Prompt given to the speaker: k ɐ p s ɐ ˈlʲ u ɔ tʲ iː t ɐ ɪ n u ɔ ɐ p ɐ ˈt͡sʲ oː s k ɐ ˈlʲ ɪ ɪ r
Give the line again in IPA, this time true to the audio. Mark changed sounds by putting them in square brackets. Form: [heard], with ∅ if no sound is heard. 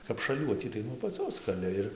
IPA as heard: k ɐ p [ʃ] ɐ ˈlʲ u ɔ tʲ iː t ɐ ɪ n u ɔ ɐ p ɐ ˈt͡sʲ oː s k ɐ ˈlʲ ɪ ɪ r